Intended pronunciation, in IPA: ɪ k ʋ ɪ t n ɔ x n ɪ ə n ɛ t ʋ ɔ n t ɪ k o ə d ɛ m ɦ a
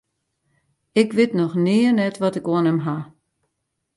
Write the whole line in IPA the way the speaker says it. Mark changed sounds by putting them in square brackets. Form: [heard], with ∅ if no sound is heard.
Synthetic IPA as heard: ɪ k ʋ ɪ t n ɔ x n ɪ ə n ɛ t ʋ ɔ [∅] t ɪ k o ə [n] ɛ m ɦ a